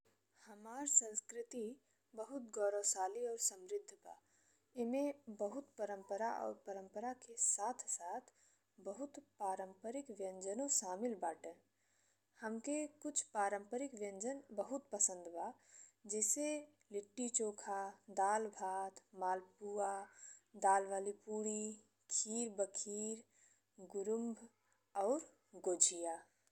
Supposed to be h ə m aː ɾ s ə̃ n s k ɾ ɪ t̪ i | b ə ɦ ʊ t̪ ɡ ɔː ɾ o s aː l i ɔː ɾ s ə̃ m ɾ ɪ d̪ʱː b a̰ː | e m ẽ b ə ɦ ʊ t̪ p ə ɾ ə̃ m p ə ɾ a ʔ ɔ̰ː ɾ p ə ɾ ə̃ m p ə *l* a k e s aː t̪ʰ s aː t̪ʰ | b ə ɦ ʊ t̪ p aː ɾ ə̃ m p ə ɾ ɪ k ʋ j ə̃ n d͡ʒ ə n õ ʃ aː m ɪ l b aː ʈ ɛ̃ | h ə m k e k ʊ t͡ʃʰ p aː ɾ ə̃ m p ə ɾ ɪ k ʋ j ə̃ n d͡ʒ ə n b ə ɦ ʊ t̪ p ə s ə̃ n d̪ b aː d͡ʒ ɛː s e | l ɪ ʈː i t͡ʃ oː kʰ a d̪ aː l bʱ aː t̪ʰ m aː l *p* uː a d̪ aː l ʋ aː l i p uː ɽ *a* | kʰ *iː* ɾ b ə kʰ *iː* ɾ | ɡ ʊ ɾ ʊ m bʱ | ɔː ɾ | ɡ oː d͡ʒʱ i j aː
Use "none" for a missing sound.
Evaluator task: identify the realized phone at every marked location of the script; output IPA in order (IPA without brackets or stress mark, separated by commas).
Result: ɾ, p, i, iː, iː